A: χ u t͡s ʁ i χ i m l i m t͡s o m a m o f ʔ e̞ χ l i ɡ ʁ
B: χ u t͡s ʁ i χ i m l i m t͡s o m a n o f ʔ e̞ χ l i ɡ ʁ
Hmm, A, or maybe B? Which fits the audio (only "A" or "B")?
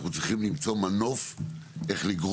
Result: B